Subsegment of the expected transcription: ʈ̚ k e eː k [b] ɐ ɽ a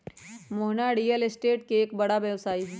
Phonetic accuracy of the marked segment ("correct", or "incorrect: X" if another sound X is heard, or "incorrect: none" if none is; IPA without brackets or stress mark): correct